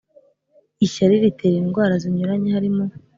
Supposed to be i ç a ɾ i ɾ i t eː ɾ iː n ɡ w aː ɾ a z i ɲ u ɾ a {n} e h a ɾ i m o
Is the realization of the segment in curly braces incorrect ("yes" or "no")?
yes